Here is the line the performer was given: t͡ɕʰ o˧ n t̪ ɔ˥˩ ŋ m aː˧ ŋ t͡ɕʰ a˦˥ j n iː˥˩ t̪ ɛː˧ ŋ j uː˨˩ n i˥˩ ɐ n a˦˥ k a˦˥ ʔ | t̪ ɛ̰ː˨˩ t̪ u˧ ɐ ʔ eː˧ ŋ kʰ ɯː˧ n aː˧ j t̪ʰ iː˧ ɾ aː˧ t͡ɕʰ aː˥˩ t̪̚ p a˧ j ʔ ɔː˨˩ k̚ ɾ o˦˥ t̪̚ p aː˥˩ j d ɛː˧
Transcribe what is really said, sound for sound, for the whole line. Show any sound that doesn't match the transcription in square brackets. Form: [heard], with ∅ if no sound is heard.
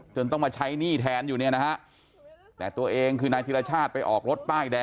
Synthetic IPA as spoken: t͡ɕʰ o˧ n t̪ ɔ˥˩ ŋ m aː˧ [∅] t͡ɕʰ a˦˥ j n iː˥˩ [t̪ʰ] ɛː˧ [n] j uː˨˩ n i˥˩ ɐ n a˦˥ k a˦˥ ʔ | t̪ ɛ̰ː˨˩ t̪ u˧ ɐ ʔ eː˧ ŋ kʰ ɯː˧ n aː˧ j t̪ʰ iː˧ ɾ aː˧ t͡ɕʰ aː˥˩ t̪̚ p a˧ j ʔ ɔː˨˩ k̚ ɾ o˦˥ t̪̚ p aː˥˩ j d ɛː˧